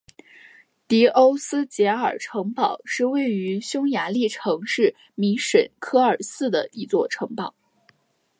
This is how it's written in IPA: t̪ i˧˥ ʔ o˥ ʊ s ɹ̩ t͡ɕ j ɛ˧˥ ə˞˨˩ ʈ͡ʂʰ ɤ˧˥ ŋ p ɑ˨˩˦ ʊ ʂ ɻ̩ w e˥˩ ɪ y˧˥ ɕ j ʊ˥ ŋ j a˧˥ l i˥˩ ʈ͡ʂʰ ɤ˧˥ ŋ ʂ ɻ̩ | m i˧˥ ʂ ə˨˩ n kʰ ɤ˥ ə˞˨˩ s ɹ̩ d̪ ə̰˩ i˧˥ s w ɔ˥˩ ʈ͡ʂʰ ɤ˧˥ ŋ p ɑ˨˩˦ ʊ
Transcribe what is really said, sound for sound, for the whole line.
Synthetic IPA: t̪ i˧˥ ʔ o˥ ʊ s ɹ̩ t͡ɕ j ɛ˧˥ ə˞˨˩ ʈ͡ʂʰ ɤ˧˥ ŋ p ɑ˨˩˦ ʊ ʂ ɻ̩ w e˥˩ ɪ y˧˥ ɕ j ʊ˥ ŋ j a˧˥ l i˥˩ ʈ͡ʂʰ ɤ˧˥ ŋ ʂ ɻ̩ | m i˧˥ ʂ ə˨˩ n kʰ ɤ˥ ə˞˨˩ s ɹ̩ d̪ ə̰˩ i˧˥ t͡s w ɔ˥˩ ʈ͡ʂʰ ɤ˧˥ ŋ p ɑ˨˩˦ ʊ